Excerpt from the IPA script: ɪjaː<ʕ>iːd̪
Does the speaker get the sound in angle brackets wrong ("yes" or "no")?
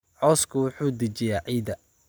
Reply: no